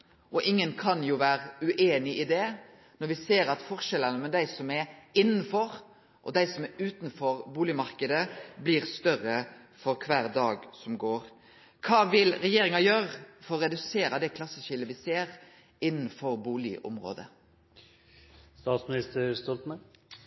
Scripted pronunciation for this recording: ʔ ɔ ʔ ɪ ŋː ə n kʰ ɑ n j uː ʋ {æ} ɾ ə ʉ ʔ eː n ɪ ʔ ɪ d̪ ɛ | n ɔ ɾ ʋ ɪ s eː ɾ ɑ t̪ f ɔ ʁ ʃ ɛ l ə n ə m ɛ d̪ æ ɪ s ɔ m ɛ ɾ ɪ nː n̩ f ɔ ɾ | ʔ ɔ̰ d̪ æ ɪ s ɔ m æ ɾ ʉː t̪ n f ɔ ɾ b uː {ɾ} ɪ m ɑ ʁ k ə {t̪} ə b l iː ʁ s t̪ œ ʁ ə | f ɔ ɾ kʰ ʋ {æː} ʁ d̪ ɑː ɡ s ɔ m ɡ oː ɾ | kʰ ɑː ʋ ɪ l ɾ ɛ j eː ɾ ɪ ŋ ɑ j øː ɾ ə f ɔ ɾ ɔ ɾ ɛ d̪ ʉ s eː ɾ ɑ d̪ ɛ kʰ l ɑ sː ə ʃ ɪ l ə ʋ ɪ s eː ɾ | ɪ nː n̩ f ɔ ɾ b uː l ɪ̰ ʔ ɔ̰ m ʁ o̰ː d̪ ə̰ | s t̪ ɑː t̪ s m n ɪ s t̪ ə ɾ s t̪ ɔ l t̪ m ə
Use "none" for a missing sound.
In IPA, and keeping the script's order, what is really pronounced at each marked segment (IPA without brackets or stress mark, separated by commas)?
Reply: æː, l, d̪, æː